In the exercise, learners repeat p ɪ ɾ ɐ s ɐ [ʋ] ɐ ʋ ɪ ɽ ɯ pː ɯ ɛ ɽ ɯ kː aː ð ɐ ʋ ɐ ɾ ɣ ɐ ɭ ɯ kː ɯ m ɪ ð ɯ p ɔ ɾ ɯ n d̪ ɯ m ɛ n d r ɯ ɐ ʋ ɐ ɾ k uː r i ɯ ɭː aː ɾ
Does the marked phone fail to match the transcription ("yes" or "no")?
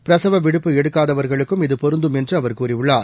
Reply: no